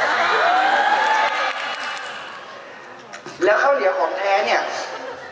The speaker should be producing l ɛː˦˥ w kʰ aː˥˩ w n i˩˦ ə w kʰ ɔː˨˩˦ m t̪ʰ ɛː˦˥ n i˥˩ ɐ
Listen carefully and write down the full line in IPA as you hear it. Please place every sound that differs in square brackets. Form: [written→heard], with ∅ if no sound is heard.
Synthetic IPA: l ɛː˦˥ w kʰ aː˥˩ w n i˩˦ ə w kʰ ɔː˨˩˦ [m→ŋ] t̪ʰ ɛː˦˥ n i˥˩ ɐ

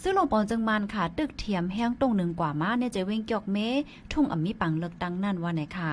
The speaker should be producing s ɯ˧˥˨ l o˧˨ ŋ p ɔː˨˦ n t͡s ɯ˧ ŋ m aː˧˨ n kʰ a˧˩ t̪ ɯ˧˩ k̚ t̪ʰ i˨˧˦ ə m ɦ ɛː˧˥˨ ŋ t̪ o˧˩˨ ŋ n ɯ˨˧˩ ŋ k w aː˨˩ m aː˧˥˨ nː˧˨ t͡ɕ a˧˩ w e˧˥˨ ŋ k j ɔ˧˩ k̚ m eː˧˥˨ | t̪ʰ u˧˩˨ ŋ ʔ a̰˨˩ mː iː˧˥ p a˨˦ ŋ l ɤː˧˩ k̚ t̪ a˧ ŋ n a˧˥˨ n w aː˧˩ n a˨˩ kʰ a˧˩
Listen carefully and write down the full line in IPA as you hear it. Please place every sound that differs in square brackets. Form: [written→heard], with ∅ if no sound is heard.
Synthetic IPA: s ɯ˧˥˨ l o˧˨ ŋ p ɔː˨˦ n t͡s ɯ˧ ŋ m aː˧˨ n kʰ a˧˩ t̪ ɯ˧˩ k̚ t̪ʰ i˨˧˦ ə m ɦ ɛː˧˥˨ ŋ t̪ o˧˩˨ ŋ n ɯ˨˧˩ ŋ k w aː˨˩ m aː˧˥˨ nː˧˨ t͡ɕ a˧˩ w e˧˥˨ ŋ k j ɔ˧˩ k̚ m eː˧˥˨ | t̪ʰ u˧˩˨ ŋ ʔ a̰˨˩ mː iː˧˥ p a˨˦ ŋ l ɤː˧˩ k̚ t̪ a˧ ŋ n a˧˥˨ n w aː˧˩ n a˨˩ kʰ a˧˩

